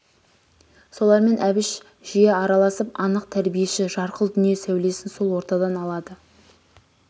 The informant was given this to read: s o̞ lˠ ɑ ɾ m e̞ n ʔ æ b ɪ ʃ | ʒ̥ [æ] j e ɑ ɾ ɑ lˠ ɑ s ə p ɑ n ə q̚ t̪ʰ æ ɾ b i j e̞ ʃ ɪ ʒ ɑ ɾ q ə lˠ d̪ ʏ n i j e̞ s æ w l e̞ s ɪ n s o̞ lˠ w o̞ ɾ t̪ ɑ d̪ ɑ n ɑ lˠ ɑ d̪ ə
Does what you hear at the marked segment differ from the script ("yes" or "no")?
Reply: yes